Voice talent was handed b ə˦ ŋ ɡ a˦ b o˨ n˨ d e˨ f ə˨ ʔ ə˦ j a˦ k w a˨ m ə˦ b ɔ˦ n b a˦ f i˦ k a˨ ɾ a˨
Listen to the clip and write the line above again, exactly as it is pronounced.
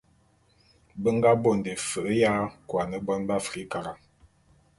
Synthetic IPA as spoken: b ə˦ ŋ ɡ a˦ b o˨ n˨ d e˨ f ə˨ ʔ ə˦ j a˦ k w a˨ n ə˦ b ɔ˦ n b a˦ f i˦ k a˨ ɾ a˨